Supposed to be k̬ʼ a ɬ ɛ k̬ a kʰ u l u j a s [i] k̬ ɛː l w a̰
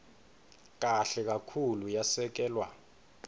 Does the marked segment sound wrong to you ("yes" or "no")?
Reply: yes